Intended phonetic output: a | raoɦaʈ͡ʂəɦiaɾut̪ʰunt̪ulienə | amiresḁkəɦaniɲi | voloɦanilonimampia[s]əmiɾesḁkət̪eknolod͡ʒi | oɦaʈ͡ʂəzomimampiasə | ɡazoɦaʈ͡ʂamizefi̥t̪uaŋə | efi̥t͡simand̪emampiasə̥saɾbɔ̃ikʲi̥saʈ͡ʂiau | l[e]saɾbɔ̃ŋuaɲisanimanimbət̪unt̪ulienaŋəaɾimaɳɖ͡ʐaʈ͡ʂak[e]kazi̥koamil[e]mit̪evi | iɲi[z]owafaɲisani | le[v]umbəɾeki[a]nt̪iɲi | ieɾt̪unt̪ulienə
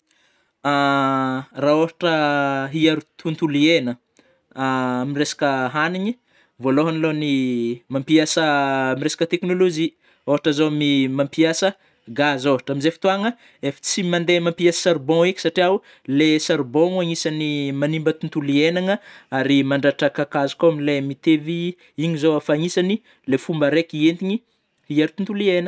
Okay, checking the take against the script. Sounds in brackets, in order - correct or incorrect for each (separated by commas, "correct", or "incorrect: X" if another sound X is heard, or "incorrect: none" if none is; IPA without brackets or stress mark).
correct, correct, incorrect: a, correct, correct, incorrect: f, incorrect: e